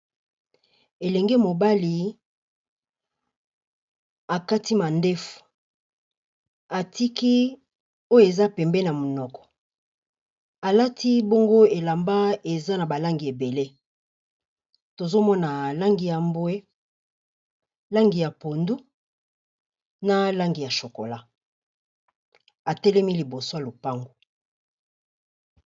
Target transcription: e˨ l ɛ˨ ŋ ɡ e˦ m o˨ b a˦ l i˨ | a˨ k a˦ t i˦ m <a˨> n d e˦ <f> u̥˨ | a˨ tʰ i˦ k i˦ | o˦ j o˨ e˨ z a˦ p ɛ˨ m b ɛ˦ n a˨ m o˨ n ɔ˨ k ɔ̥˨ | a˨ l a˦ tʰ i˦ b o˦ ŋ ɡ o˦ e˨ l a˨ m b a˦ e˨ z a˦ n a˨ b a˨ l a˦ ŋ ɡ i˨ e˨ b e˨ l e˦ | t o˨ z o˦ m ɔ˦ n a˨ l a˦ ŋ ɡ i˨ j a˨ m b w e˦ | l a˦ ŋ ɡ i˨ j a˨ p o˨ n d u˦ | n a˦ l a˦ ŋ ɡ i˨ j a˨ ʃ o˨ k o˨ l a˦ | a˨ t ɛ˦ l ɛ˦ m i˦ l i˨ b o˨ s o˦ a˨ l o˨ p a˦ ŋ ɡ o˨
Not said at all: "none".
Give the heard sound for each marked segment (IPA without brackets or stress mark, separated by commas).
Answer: a˨, f